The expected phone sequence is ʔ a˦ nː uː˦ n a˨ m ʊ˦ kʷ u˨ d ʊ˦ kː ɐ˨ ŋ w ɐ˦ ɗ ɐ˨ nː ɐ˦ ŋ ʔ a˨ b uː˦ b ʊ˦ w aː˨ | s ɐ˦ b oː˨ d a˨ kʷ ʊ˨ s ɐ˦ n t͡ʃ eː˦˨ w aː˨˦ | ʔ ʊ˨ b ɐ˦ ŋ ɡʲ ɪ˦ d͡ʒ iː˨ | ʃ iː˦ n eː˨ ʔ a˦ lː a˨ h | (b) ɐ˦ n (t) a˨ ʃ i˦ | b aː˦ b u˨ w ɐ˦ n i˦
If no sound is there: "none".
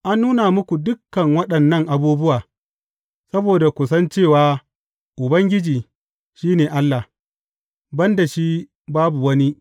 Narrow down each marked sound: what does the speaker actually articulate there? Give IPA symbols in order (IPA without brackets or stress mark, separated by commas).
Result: b, d